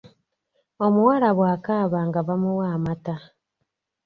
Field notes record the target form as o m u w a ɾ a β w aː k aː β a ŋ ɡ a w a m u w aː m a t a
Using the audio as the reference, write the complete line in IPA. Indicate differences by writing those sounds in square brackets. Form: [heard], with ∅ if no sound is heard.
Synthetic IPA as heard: o m u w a ɾ a β w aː k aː β a ŋ ɡ a [β] a m u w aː m a t a